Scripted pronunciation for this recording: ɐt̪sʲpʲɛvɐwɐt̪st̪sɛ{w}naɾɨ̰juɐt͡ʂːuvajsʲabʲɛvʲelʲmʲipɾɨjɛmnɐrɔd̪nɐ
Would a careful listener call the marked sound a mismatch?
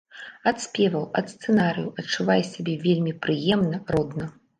yes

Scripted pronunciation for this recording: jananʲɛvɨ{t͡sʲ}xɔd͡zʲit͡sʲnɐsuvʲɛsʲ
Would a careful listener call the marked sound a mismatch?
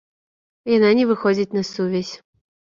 yes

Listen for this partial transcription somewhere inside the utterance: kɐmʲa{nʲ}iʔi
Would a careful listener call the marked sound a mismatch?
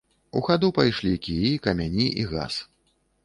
no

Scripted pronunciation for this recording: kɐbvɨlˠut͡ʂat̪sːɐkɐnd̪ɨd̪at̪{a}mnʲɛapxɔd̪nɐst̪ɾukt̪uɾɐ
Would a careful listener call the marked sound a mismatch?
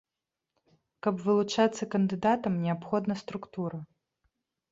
yes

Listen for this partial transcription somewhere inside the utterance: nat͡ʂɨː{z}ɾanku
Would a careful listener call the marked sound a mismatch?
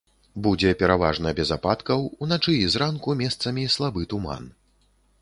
no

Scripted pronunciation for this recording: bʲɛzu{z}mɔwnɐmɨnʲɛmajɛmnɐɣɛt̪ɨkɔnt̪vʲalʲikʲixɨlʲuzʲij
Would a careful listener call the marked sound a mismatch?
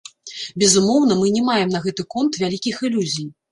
yes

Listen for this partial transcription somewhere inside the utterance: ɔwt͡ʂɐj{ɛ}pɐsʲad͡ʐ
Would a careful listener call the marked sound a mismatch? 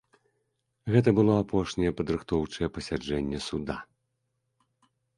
no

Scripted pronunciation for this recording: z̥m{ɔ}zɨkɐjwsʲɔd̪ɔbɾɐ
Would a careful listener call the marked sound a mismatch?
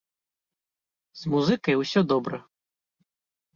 yes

